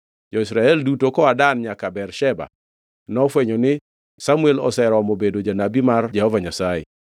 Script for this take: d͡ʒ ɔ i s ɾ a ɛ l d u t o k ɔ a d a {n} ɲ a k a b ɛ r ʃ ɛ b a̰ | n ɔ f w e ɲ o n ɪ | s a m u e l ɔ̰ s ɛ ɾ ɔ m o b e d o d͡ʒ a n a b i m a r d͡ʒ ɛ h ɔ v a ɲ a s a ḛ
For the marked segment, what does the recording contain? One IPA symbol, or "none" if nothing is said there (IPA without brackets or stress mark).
n